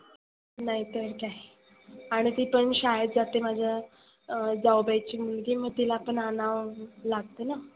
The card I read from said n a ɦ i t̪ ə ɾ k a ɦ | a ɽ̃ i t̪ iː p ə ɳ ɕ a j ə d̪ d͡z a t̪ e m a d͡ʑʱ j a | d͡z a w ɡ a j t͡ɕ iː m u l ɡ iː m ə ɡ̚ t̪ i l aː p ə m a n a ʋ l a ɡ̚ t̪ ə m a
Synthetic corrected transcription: n a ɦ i t̪ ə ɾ k a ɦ | a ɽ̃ i t̪ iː p ə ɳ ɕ a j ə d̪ d͡z a t̪ e m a d͡ʑʱ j a | d͡z a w b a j t͡ɕ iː m u l ɡ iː m ə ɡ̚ t̪ i l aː p ə ɳ a n a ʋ l a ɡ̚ t̪ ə n a

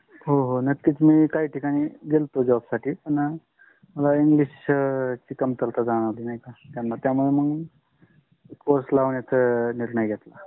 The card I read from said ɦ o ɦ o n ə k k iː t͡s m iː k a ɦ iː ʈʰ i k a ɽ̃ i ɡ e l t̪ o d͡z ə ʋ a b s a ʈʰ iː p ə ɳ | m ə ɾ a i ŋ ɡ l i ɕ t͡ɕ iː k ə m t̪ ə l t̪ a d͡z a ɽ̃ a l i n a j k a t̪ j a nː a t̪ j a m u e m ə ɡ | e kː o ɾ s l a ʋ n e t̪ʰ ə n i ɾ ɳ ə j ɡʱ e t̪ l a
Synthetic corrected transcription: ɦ o ɦ o n ə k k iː t͡s m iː k a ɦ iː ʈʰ i k a ɽ̃ i ɡ e l t̪ o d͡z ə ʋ a b s a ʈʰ iː p ə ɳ | m ə l a i ŋ ɡ l i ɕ t͡ɕ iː k ə m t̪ ə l t̪ a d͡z a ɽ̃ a l i n a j k a t̪ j a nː a t̪ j a m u e m ə ɡ | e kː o ɾ s l a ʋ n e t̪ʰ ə n i ɾ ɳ ə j ɡʱ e t̪ l a

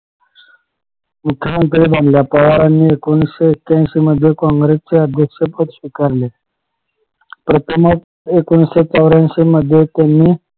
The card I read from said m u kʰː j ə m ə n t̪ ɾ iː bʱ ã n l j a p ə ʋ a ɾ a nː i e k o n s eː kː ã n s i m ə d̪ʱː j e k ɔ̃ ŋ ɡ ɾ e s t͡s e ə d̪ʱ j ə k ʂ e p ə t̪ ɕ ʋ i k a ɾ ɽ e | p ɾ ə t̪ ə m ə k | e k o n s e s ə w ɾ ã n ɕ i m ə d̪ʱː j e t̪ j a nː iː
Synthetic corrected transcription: m u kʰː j ə m ə n t̪ ɾ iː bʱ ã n l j a p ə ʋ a ɾ a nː i e k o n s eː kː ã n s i m ə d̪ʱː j e k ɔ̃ ŋ ɡ ɾ e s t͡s e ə d̪ʱ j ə k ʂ e p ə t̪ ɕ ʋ i k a ɾ l e | p ɾ ə t̪ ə m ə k | e k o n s e t͡s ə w ɾ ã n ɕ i m ə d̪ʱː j e t̪ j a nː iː

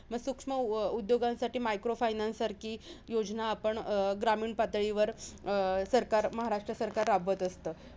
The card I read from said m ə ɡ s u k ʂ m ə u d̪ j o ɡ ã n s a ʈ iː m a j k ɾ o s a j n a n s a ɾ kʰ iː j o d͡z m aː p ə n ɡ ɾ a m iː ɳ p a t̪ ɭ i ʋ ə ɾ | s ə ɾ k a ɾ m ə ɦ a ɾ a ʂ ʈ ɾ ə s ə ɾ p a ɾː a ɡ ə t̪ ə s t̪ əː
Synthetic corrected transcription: m ə ɡ s u k ʂ m ə u d̪ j o ɡ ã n s a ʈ iː m a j k ɾ o f a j n a n s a ɾ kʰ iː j o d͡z n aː p ə ɳ ɡ ɾ a m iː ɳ p a t̪ ɭ i ʋ ə ɾ | s ə ɾ k a ɾ m ə ɦ a ɾ a ʂ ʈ ɾ ə s ə ɾ k a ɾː a b ə t̪ ə s t̪ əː

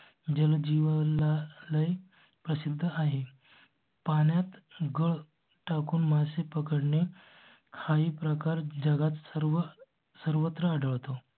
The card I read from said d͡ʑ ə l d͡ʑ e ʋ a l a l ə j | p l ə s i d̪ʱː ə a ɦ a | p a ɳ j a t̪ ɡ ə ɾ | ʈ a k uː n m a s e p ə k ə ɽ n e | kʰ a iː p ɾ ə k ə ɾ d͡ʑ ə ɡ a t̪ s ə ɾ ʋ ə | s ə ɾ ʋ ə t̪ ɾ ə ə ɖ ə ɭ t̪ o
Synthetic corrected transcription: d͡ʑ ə l d͡ʑ i ʋ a l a l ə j | p ɾ ə s i d̪ʱː ə a ɦ e | p a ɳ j a t̪ ɡ ə ɭ | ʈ a k uː n m a s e p ə k ə ɽ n e | kʰ a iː p ɾ ə k a ɾ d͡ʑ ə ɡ a t̪ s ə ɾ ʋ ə | s ə ɾ ʋ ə t̪ ɾ ə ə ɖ ə ɭ t̪ o

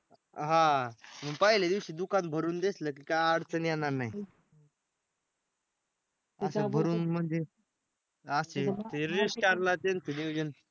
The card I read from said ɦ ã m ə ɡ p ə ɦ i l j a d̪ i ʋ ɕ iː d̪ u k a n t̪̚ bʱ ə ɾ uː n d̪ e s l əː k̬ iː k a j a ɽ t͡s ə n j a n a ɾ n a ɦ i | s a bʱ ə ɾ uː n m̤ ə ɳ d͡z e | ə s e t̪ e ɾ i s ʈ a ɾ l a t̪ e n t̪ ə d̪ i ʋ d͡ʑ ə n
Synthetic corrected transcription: ɦ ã m ə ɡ p ə ɦ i l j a d̪ i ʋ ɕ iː d̪ u k a n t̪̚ bʱ ə ɾ uː n d̪ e s l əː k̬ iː k a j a ɽ t͡s ə n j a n a ɾ n a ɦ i | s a bʱ ə ɾ uː n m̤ ə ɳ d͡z e | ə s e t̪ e ɾ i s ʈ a ɾ l a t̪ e n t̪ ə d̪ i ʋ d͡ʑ ə n

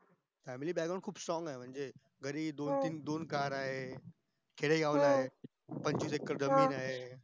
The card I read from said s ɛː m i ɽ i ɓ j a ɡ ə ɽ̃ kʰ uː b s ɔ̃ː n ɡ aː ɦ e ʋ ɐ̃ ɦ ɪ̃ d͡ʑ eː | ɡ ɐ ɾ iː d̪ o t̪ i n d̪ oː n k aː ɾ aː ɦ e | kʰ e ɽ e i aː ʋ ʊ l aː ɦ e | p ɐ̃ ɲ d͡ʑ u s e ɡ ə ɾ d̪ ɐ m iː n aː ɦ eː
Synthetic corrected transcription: f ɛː m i l i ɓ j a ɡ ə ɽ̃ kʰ uː b s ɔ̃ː ŋ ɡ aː ɦ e ʋ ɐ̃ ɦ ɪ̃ d͡ʑ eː | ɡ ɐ ɾ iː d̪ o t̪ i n d̪ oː n k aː ɾ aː ɦ e | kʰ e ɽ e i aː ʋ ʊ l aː ɦ e | p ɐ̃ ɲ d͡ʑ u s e k ə ɾ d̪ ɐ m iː n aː ɦ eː

